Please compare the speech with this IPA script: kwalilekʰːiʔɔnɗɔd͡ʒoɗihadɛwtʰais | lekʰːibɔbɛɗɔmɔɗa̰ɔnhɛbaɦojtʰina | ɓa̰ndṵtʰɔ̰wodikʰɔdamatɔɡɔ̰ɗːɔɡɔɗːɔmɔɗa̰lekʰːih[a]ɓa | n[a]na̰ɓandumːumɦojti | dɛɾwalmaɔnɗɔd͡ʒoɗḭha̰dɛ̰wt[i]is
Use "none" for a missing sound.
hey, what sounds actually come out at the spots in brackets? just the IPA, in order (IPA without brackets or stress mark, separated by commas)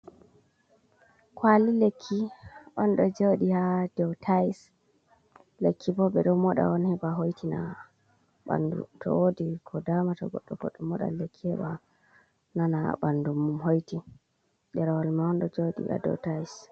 ɛ, a, a